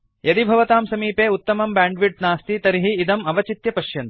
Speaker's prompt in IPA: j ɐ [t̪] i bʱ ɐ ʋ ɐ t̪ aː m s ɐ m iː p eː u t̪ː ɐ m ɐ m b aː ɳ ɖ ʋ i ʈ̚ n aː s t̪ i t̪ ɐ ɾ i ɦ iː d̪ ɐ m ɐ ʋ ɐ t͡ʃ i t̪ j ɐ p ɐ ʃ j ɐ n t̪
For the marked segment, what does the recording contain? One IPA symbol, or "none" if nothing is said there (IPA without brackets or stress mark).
d̪